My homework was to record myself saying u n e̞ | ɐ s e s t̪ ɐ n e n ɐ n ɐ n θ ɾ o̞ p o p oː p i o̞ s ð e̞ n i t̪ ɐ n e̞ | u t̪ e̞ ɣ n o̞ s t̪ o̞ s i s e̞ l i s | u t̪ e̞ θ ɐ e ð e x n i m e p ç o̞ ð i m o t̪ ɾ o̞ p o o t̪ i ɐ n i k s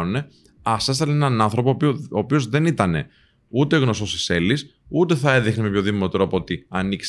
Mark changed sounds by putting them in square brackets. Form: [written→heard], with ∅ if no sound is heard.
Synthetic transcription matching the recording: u n e̞ | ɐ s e s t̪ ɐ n e n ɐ n ɐ n θ ɾ o̞ p o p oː p i o̞ [s→z] ð e̞ n i t̪ ɐ n e̞ | u t̪ e̞ ɣ n o̞ s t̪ o̞ s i s e̞ l i s | u t̪ e̞ θ ɐ e ð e x n i m e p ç o̞ ð i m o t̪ ɾ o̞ p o o t̪ i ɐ n i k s